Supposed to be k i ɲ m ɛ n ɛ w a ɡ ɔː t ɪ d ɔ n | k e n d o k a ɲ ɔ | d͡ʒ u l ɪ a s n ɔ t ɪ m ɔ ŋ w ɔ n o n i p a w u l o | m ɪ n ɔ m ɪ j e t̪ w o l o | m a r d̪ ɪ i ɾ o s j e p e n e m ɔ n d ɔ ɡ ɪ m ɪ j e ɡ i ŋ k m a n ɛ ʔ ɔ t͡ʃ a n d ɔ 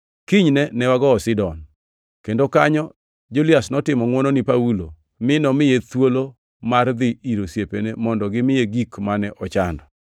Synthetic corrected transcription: k i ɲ n ɛ n ɛ w a ɡ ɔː s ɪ d ɔ n | k e n d o k a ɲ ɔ | d͡ʒ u l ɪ a s n ɔ t ɪ m ɔ ŋ w ɔ n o n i p a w u l o | m ɪ n ɔ m ɪ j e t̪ w o l o | m a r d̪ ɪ i ɾ o s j e p e n e m ɔ n d ɔ ɡ ɪ m ɪ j e ɡ i k m a n ɛ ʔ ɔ t͡ʃ a n d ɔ

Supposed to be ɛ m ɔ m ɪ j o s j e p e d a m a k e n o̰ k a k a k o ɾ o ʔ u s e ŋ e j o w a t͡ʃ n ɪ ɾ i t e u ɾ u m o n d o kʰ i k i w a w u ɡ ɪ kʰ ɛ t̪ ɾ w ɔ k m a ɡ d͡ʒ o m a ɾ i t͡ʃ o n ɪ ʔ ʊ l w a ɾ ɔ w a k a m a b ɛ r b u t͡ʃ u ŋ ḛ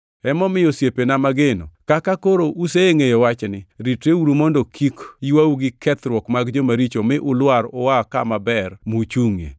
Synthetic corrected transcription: ɛ m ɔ m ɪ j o s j e p e n a m a ɡ e n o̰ k a k a k o ɾ o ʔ u s e ŋ e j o w a t͡ʃ n ɪ ɾ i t e u ɾ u m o n d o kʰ i k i w a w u ɡ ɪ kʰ ɛ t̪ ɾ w ɔ k m a ɡ d͡ʒ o m a ɾ i t͡ʃ o m ɪ ʔ ʊ l w a ɾ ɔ w a k a m a b ɛ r m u t͡ʃ u ŋ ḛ

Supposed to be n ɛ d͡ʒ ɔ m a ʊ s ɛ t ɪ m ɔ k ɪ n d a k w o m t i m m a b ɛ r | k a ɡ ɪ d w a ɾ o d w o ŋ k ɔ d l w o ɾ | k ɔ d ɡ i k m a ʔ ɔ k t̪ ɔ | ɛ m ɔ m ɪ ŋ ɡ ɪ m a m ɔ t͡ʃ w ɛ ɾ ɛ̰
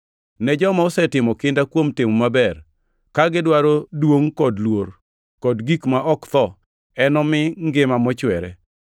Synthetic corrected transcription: n ɛ d͡ʒ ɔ m a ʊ s ɛ t ɪ m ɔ k ɪ n d a k w o m t ɪ m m a b ɛ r | k a ɡ ɪ d w a ɾ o d w o ŋ k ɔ d l w o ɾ | k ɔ d ɡ i k m a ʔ ɔ k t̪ ɔ | ɛ n ɔ m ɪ ŋ ɡ ɪ m a m ɔ t͡ʃ w ɛ ɾ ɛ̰

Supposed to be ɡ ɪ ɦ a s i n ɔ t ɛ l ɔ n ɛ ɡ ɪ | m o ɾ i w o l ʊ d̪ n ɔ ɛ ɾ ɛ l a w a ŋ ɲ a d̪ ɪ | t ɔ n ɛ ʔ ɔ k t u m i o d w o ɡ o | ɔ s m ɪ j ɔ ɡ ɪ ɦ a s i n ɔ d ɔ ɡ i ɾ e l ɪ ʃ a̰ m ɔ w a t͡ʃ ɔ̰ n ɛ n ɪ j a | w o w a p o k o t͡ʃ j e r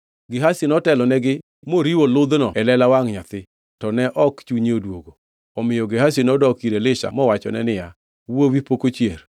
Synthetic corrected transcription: ɡ ɪ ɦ a s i n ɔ t ɛ l ɔ n ɛ ɡ ɪ | m o ɾ i w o l ʊ d̪ n ɔ ɛ l ɛ l a w a ŋ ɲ a t̪ ɪ | t ɔ n ɛ ʔ ɔ k t͡ʃ u ɲ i o d w o ɡ o | ɔ m ɪ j ɔ ɡ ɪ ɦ a s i n ɔ d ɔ k i ɾ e l ɪ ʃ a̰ m ɔ w a t͡ʃ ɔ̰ n ɛ n ɪ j a | w o w i p o k o t͡ʃ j e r

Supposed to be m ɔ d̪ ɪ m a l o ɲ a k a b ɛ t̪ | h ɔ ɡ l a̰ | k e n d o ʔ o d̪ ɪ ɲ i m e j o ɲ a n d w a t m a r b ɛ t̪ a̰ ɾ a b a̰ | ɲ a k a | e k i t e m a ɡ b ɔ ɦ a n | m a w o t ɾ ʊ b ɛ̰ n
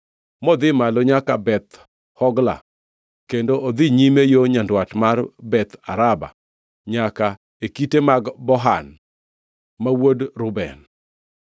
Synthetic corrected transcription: m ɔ d̪ ɪ m a l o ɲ a k a b ɛ t̪ | h ɔ ɡ l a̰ | k e n d o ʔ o d̪ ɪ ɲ i m e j o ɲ a n d w a t m a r b ɛ t̪ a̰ ɾ a b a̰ | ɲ a k a | e k i t e m a ɡ b ɔ ɦ a n | m a w o d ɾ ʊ b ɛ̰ n

